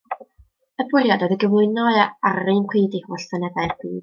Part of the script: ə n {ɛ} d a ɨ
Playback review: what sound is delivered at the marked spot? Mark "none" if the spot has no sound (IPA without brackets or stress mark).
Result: ɛ